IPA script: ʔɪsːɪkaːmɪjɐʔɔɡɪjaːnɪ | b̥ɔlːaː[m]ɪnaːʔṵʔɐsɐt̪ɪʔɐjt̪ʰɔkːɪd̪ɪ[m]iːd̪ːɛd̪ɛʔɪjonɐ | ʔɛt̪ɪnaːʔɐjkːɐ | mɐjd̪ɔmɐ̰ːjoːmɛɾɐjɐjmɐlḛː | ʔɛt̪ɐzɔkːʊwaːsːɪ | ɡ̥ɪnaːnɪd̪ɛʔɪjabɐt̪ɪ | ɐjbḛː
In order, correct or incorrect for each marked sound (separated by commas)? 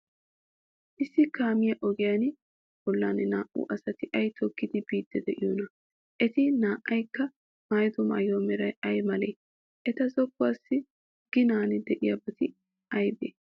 incorrect, incorrect